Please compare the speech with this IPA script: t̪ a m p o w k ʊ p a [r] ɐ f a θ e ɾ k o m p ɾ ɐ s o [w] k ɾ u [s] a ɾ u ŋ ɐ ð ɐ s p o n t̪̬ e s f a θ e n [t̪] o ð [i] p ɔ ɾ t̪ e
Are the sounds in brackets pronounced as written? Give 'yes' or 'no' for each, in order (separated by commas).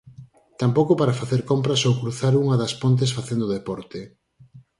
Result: no, yes, no, no, no